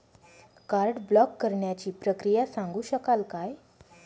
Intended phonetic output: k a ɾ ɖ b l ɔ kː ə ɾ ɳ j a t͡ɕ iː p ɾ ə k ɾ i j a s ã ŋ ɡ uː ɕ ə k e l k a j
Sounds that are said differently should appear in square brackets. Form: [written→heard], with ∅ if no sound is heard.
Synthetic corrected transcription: k a ɾ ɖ b l ɔ kː ə ɾ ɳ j a t͡ɕ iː p ɾ ə k ɾ i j a s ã ŋ ɡ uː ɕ ə k [e→a] l k a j